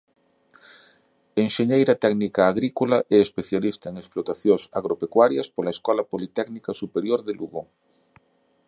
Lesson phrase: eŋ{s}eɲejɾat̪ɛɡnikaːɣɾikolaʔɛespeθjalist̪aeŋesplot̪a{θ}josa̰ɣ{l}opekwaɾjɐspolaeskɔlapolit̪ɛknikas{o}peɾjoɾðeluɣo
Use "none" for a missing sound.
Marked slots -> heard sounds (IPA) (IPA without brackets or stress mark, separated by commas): ʃ, θ, ɾ, u